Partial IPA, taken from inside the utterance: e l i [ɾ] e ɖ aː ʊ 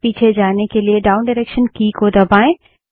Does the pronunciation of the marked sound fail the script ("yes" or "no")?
yes